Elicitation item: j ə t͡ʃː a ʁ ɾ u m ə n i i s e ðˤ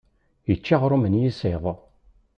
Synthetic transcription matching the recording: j ə t͡ʃː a ʁ ɾ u m ə n j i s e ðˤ